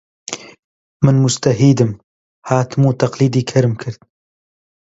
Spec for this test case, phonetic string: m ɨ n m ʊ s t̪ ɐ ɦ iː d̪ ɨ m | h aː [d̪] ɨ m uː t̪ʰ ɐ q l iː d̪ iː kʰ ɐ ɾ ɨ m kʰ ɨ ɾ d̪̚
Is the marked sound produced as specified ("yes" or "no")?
no